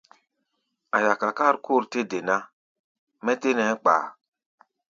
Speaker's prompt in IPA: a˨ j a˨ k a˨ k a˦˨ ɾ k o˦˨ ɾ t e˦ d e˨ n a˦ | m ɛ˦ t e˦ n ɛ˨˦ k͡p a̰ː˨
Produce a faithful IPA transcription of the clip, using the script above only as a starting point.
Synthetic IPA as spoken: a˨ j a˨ k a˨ k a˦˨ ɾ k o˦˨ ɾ t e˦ d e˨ n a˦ | m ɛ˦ t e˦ n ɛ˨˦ k͡p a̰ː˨